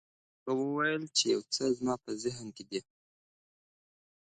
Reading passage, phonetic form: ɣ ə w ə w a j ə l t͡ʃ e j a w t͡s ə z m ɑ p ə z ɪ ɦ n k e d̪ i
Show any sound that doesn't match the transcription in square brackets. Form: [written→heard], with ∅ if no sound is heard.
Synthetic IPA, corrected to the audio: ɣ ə w ə w a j ə l t͡ʃ e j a w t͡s ə z m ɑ p ə z ɪ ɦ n k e d̪ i